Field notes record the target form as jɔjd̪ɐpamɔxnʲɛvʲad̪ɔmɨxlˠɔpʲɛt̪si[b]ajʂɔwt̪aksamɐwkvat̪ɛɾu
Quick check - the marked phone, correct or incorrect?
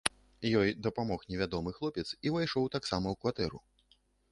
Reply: incorrect